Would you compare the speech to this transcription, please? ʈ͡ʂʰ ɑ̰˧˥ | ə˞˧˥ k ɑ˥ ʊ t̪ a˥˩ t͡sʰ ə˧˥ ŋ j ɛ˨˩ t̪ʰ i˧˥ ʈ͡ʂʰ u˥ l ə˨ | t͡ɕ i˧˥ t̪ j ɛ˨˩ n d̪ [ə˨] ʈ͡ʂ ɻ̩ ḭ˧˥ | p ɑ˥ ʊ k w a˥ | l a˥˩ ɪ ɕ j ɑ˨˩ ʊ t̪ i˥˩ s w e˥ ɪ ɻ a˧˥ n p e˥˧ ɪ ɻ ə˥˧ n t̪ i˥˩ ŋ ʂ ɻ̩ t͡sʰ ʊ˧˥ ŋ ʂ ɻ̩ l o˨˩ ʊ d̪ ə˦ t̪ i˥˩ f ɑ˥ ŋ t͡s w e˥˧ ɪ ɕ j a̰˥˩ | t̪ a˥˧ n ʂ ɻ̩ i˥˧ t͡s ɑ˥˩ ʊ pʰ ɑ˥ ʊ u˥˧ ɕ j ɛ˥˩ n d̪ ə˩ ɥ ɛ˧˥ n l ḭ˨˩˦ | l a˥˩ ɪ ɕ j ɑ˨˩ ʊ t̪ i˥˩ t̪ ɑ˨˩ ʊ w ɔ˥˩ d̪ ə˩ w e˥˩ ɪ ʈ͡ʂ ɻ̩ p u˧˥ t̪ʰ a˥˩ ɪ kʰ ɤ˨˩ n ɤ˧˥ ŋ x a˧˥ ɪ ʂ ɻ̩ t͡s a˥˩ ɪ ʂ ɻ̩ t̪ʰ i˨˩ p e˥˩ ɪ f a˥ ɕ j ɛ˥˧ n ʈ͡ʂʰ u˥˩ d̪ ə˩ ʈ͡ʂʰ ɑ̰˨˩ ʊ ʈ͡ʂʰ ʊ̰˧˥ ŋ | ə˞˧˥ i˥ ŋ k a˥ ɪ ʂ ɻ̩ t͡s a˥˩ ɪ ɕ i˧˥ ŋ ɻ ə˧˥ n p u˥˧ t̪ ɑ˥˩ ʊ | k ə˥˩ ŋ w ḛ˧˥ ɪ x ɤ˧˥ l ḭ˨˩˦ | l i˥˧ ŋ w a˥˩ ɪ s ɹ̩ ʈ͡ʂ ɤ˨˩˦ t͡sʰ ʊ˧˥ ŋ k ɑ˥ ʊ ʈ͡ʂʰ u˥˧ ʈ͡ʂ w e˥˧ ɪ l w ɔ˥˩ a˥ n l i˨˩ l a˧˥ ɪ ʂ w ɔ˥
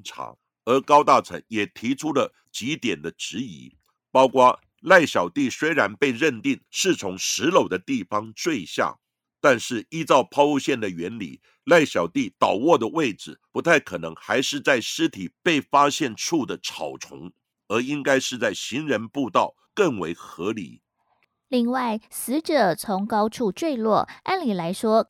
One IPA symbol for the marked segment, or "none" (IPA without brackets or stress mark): ə˦